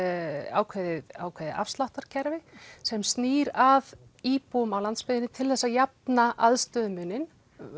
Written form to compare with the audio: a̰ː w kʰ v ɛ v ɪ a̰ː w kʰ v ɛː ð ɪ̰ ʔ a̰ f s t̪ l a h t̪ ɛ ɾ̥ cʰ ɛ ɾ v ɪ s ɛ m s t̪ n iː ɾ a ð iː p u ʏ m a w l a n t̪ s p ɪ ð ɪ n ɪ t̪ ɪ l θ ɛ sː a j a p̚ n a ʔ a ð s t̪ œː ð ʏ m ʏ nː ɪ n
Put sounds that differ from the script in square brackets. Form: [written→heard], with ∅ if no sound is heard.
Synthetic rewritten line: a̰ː w kʰ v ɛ [v→ð] ɪ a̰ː w kʰ v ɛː ð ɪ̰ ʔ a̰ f s t̪ l a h t̪ [ɛ→a] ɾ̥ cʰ ɛ ɾ v ɪ s ɛ m s t̪ n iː ɾ a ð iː p u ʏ m a w l a n t̪ s p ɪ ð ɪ n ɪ [t̪→t̪ʰ] ɪ l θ ɛ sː a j a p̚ n a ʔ a ð s t̪ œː ð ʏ m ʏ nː ɪ n

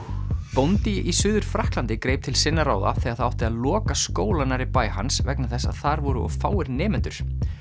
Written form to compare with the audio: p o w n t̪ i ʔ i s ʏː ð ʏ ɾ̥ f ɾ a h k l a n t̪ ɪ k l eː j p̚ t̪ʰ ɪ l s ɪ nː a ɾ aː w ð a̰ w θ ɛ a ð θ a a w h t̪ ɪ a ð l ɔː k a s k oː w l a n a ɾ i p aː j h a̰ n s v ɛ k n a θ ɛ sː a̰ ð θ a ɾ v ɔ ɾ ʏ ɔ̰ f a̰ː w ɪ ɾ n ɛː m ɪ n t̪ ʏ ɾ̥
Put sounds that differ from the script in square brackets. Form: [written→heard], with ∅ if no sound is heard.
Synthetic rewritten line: p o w n t̪ i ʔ i s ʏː ð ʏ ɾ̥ f ɾ a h k l a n t̪ ɪ k [l→ɾ] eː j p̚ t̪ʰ ɪ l s ɪ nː a ɾ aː w ð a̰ [w→∅] θ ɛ a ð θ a a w h t̪ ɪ a ð l ɔː k a s k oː w l a n a ɾ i p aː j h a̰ n s v ɛ k n a θ ɛ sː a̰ ð θ a ɾ v ɔ ɾ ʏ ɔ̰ f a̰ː w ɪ ɾ n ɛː m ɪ n t̪ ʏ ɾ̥

